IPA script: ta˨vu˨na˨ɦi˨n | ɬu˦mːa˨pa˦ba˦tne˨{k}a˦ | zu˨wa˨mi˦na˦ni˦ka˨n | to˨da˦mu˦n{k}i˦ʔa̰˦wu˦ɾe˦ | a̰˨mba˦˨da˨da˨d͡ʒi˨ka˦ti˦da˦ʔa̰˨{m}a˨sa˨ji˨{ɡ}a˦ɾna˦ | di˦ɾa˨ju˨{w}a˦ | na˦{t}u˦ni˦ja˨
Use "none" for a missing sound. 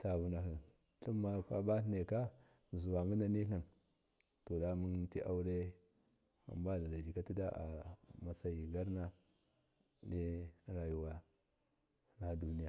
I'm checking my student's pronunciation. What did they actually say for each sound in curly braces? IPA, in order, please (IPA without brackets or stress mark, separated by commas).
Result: k, t, m, ɡ, w, d